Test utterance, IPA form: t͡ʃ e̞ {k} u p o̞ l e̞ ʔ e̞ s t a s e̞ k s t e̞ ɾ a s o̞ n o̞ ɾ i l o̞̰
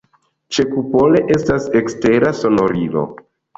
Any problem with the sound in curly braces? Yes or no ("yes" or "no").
no